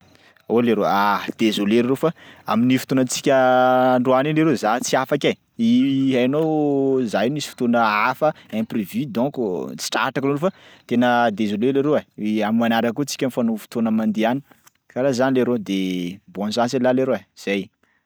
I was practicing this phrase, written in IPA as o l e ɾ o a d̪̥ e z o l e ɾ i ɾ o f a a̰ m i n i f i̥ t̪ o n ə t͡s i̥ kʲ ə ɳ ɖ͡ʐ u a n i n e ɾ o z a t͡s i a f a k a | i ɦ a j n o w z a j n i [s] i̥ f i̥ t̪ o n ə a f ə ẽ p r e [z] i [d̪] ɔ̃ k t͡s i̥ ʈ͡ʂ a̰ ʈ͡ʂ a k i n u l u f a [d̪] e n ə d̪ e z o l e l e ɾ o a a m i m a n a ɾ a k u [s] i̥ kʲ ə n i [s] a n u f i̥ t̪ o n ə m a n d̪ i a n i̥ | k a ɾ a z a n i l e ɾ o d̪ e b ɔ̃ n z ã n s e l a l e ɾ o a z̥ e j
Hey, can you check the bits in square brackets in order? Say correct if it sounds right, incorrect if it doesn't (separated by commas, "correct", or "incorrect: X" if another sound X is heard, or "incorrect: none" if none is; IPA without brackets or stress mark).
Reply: correct, incorrect: v, correct, incorrect: t̪, incorrect: t͡s, incorrect: f